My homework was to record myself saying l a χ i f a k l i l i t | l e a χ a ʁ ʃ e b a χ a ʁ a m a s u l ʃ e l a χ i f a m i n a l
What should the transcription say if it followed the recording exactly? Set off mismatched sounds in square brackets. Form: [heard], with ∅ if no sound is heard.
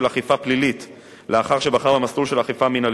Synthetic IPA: l a χ i f a [p] l i l i t | l e a χ a ʁ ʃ e b a χ a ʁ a m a s u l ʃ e l a χ i f a m i n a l

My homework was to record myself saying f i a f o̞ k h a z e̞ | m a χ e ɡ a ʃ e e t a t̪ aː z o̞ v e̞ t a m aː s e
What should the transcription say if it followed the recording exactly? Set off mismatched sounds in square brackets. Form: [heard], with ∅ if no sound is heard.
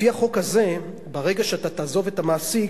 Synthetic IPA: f i a [χ] o̞ k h a z e̞ | [b] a [ʁ] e ɡ a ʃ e [a] t a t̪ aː z o̞ v e̞ t a m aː s [i]

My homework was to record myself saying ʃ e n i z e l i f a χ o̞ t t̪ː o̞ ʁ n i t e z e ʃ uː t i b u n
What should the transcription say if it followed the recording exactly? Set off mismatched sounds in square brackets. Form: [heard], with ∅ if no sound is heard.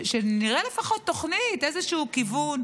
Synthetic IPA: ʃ e n i [ʁ] e l [e] f a χ o̞ t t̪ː o̞ [χ] n i t e z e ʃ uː [k] i [v] u n

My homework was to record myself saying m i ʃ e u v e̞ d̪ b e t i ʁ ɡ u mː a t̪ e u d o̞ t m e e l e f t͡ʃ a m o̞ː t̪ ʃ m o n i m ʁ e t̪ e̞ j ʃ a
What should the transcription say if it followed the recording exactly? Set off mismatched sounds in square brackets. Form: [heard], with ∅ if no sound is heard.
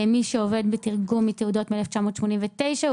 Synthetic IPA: m i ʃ e [o] v e̞ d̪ b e t i ʁ ɡ u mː [i] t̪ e u d o̞ t m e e l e f t͡ʃ a m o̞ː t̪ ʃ m o n i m [v] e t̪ e̞ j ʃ a

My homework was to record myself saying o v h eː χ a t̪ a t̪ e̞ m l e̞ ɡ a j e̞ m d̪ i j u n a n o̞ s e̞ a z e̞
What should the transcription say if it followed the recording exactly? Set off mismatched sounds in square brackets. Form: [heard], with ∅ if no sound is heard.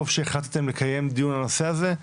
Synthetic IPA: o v [ʃ] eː χ a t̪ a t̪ e̞ m l e̞ [k] a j e̞ m d̪ i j u n a n o̞ s e̞ a z e̞

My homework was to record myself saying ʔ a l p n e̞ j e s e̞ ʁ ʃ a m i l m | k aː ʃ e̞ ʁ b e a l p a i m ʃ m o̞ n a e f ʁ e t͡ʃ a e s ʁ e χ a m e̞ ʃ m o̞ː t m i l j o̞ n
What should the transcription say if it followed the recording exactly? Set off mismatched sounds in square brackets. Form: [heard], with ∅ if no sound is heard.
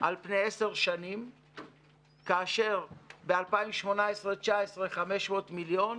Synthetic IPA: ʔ a l p n e̞ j e s e̞ ʁ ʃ a [n] i [∅] m | k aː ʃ e̞ ʁ b e a l p a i m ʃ m o̞ n a e [s] ʁ e t͡ʃ a e s ʁ e χ a m e̞ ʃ m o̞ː t m i l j o̞ n

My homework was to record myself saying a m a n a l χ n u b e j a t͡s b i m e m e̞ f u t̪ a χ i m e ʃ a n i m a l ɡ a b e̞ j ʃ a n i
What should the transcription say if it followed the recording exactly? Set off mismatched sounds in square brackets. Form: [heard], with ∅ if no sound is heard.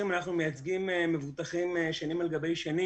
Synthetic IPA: [i] m a n a [∅] χ n u [m] e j a t͡s [ɡ] i m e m e̞ [v] u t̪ a χ i m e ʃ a n i m a l ɡ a b e̞ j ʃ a n i

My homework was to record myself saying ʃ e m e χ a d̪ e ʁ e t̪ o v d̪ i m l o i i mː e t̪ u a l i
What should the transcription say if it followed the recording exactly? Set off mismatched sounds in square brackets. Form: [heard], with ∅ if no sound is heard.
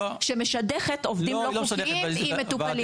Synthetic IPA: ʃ e m e [ʃ] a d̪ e [χ] e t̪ o v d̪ i m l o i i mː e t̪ u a l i

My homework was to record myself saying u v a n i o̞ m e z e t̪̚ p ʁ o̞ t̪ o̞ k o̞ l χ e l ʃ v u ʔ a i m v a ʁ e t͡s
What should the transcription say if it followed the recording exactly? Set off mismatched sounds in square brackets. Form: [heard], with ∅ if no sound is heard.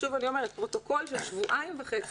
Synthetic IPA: u v a n i o̞ m e [ʁ] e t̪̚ p ʁ o̞ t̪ o̞ k o̞ l [ʃ] e l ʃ v u ʔ a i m v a [χ] e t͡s

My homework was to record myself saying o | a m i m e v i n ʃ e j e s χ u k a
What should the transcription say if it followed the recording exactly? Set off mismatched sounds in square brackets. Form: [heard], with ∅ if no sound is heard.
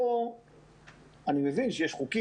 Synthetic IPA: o | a [n] i m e v i n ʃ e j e [ʃ] χ u k [i]

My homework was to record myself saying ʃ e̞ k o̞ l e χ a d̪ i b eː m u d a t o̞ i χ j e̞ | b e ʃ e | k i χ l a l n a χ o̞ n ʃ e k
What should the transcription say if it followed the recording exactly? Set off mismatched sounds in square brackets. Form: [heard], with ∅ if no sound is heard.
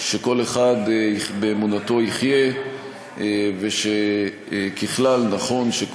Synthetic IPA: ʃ e̞ k o̞ l e χ a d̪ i b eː m u [n] a t o̞ i χ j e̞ | [v] e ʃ e | k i χ l a l n a χ o̞ n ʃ e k

